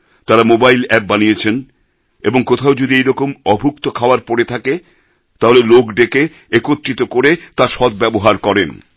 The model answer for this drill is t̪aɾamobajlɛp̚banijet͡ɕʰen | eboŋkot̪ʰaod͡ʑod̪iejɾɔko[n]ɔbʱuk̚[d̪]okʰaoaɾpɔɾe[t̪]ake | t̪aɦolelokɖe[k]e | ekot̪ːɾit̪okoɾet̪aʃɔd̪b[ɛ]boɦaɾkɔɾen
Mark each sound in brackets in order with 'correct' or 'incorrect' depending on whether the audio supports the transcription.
incorrect, incorrect, incorrect, correct, correct

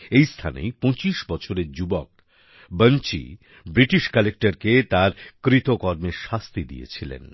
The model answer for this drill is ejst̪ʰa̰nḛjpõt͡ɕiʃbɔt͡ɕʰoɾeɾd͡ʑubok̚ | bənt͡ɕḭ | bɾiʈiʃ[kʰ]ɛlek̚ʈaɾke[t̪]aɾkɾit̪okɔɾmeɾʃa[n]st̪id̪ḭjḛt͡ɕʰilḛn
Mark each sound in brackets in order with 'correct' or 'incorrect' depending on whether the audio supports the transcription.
incorrect, correct, incorrect

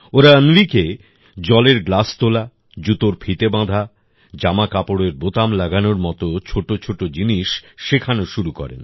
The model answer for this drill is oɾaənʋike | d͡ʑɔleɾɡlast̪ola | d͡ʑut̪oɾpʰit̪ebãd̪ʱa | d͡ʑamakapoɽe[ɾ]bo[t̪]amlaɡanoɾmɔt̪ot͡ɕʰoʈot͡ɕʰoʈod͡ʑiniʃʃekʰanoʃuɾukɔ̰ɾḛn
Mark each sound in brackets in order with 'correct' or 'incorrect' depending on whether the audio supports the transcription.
correct, correct

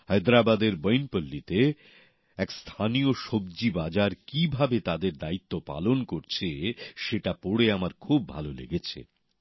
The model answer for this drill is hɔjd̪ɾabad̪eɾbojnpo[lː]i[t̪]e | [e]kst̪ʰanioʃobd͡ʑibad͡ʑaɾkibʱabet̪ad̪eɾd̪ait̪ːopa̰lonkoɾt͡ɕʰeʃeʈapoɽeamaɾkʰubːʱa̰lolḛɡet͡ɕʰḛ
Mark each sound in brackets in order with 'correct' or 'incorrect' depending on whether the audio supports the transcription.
correct, correct, incorrect

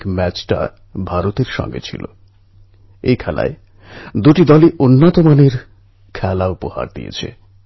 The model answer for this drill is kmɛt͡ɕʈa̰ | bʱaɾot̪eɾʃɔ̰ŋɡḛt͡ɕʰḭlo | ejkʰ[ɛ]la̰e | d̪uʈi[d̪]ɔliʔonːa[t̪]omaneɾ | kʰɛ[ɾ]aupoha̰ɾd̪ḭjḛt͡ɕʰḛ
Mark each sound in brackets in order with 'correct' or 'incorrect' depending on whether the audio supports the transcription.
correct, correct, correct, incorrect

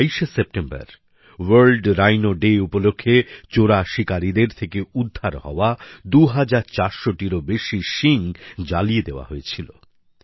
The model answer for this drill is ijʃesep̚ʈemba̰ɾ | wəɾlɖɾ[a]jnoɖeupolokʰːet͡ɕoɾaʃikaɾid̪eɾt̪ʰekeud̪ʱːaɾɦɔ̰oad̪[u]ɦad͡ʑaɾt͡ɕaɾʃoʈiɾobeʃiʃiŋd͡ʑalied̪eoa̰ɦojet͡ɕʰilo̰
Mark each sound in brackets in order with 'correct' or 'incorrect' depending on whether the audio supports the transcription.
correct, correct

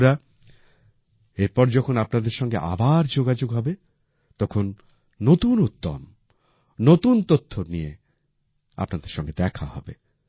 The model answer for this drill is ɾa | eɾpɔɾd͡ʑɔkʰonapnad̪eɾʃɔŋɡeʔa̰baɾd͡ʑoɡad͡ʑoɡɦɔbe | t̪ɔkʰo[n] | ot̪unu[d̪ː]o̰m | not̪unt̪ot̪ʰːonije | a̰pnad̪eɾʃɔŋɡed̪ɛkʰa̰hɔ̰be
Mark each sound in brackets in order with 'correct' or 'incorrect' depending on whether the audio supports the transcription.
incorrect, incorrect

